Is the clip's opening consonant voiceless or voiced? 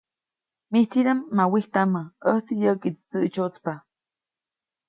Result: voiced